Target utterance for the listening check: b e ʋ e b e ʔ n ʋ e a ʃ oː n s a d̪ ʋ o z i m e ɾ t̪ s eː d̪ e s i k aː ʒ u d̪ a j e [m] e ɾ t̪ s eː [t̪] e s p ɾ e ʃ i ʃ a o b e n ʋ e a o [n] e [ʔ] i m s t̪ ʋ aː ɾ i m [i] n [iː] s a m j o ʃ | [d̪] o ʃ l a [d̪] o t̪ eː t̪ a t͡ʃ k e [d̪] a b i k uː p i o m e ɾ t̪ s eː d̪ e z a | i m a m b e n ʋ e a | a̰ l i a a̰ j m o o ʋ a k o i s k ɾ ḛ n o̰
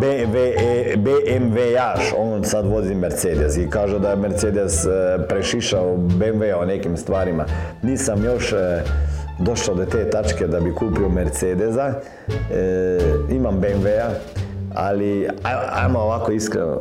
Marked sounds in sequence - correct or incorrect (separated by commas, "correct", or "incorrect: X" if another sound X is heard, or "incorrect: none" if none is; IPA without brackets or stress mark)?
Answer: correct, incorrect: d̪, correct, incorrect: k, incorrect: a, correct, correct, correct, correct